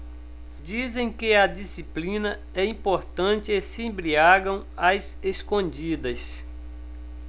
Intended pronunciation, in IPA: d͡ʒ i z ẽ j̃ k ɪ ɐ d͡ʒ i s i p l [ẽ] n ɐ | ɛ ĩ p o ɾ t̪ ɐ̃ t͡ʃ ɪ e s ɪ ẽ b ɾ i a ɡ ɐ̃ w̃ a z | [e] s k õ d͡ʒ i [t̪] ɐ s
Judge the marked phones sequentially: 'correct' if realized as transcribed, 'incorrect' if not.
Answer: incorrect, correct, incorrect

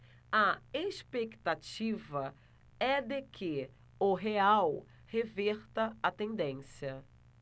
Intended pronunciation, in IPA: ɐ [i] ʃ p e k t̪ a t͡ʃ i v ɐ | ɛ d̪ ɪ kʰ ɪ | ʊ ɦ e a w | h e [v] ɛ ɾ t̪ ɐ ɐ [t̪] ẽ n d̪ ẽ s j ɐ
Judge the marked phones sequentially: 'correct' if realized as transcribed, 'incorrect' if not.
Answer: incorrect, correct, correct

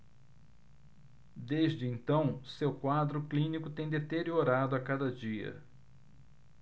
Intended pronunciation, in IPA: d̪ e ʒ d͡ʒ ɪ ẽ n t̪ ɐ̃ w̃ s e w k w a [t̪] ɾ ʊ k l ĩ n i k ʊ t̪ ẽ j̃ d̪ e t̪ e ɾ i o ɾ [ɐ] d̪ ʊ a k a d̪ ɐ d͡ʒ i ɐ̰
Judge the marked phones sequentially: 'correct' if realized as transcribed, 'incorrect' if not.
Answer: incorrect, incorrect

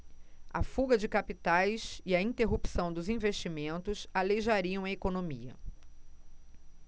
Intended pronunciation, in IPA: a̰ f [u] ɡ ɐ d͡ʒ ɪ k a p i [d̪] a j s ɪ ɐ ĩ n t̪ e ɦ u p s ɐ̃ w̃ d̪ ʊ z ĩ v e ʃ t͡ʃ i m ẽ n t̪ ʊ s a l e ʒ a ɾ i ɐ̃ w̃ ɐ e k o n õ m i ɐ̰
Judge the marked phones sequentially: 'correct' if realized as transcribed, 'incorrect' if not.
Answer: correct, incorrect

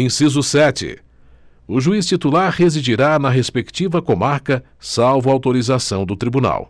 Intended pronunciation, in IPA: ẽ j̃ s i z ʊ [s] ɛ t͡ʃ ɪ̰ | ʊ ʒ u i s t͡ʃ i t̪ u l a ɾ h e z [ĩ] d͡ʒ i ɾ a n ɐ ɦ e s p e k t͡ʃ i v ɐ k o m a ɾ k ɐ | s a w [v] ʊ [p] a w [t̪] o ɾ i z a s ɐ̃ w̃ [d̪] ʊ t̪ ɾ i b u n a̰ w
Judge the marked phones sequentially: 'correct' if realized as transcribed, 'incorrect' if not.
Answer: correct, incorrect, correct, incorrect, correct, correct

